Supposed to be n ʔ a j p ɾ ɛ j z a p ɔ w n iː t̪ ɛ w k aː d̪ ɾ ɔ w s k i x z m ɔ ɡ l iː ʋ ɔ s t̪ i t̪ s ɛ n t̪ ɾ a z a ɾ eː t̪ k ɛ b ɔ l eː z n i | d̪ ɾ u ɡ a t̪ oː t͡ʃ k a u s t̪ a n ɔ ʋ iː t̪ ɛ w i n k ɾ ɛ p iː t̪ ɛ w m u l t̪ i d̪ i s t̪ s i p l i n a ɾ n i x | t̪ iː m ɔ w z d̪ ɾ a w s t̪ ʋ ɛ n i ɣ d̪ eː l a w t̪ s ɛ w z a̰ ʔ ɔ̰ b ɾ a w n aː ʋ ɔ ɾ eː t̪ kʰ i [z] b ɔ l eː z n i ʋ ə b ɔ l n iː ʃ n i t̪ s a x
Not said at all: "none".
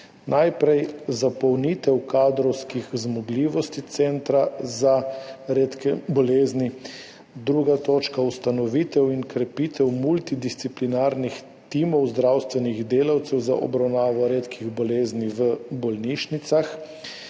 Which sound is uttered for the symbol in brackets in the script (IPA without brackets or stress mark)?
ɣ